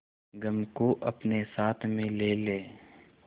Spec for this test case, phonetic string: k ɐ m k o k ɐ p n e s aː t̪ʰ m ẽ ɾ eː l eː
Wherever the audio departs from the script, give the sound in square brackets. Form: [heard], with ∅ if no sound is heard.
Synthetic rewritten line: [ɡ] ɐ m k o [ʔ] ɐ p n e s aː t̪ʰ m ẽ [l] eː l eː